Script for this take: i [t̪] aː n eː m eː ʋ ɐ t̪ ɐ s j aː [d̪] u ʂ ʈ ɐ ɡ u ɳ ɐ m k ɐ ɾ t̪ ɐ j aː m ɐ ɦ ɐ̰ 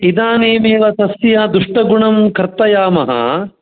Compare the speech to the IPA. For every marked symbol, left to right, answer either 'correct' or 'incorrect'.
incorrect: d̪, correct

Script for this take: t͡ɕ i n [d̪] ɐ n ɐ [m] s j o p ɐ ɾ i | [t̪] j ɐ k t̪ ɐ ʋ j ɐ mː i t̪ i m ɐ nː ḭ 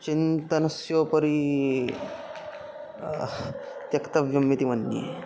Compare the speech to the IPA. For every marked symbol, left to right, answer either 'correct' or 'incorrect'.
incorrect: t̪, incorrect: none, correct

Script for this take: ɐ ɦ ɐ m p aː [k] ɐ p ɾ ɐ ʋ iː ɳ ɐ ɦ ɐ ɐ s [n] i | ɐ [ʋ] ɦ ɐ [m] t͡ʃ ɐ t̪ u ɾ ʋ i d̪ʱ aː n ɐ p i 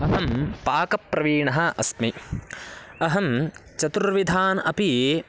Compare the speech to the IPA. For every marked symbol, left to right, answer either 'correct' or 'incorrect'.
correct, incorrect: m, incorrect: none, correct

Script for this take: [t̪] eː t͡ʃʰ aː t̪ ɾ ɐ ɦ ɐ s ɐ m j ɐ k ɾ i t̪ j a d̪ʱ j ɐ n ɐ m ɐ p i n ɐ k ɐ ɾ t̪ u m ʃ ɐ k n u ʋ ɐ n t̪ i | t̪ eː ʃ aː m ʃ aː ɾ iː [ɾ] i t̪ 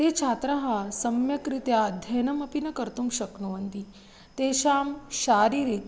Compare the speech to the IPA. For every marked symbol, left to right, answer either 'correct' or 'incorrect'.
correct, correct

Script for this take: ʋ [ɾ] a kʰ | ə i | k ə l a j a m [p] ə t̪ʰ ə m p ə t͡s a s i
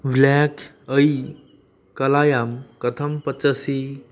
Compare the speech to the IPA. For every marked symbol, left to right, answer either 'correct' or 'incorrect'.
incorrect: l, incorrect: k

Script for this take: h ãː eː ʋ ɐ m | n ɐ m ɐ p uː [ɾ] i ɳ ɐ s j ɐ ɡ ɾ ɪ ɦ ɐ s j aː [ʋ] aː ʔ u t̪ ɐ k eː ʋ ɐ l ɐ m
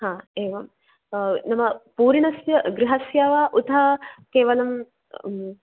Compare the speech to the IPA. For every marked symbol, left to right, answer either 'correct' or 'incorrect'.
correct, correct

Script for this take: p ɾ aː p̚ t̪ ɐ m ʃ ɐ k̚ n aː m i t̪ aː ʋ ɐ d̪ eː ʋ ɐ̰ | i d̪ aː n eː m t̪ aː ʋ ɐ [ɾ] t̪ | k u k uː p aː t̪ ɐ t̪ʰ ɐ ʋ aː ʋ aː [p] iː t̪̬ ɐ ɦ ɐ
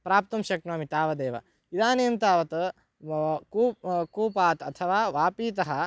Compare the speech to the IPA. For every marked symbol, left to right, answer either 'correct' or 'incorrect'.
incorrect: none, correct

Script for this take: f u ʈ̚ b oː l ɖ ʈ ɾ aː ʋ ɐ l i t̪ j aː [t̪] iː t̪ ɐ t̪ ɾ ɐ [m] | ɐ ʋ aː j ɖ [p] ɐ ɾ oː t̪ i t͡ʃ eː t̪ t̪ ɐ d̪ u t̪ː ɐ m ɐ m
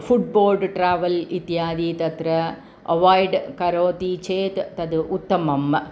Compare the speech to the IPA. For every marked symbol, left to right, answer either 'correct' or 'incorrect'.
incorrect: d̪, incorrect: none, incorrect: k

